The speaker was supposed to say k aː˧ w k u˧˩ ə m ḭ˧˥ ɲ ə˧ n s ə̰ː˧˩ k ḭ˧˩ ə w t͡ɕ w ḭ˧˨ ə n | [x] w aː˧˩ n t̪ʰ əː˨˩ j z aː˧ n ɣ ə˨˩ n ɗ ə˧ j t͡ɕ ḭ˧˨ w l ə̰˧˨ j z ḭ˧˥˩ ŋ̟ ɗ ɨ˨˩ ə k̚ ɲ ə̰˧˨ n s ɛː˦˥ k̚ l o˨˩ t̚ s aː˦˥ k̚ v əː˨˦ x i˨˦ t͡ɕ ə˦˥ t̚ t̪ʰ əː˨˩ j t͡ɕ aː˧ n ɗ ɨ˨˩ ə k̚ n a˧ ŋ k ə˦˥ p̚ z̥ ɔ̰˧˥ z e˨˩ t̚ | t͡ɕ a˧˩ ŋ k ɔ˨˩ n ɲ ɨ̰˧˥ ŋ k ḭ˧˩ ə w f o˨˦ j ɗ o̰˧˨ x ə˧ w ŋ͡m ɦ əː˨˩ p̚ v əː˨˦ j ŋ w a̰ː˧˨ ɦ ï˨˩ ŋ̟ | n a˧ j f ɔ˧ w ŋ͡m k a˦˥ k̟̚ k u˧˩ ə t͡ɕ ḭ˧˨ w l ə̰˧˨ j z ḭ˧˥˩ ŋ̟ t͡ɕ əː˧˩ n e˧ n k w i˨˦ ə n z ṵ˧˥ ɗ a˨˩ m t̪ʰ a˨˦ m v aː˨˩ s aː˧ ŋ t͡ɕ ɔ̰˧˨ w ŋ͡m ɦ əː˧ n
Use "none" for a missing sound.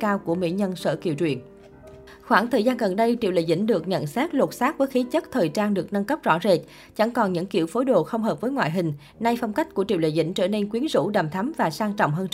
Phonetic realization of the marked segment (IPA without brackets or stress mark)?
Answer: x